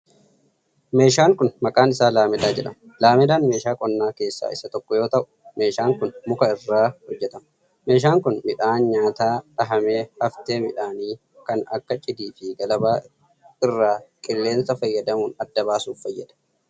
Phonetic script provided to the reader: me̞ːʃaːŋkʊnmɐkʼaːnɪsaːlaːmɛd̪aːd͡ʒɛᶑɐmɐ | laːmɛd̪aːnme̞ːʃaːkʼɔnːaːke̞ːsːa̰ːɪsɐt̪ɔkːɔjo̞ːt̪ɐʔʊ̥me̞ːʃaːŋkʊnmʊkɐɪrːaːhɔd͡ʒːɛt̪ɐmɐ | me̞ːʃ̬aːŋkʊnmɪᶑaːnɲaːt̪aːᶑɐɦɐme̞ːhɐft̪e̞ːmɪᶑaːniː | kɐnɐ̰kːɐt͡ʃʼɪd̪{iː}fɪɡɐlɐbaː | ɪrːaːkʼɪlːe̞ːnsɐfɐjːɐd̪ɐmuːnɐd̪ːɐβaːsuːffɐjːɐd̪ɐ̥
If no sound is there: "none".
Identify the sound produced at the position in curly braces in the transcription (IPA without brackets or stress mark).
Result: iː